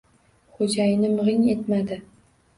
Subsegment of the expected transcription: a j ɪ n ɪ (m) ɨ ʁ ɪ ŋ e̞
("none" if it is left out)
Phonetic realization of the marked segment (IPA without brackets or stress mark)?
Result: m